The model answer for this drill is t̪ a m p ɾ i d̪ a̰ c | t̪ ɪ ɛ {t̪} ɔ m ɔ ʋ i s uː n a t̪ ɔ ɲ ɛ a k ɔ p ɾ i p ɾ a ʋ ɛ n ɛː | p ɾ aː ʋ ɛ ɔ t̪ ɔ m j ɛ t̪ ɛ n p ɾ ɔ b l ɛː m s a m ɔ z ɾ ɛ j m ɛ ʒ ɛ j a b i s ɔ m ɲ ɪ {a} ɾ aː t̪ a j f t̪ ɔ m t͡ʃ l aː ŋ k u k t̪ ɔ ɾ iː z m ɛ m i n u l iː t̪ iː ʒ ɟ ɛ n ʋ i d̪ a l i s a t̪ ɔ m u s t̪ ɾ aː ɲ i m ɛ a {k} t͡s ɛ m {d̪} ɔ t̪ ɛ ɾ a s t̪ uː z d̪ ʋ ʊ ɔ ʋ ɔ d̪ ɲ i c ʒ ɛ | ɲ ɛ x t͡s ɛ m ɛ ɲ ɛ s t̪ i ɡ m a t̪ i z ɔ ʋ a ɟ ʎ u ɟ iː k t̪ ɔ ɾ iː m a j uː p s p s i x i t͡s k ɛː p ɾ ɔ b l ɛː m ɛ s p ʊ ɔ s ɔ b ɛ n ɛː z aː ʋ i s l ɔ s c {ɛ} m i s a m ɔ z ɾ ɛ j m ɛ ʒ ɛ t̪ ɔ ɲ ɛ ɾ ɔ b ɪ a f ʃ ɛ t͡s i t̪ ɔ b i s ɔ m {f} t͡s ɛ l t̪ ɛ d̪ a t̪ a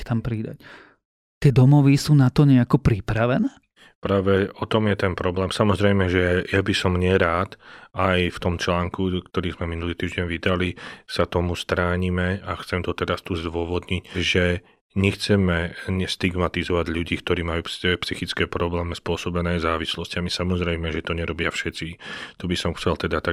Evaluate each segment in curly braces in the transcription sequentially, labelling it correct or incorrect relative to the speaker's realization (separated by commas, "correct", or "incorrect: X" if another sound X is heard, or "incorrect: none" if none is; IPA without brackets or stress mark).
incorrect: d̪, incorrect: ɛ, incorrect: x, incorrect: t̪, incorrect: a, incorrect: x